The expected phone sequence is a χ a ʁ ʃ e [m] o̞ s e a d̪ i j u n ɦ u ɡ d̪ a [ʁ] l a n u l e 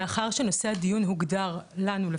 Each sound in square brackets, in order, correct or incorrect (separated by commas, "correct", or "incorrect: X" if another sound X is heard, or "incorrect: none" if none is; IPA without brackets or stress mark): incorrect: n, correct